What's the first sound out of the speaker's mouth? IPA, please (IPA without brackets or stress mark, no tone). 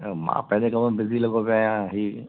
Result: m